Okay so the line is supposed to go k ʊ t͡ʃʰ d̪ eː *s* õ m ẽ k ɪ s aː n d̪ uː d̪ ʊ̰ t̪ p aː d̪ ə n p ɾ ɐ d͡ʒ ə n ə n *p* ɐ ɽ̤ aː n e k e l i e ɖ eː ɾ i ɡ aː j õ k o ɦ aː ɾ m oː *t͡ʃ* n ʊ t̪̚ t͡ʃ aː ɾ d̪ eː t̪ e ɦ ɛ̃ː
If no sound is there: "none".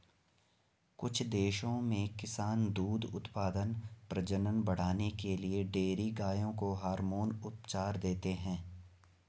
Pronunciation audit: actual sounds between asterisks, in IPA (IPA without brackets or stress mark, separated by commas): ʃ, b, none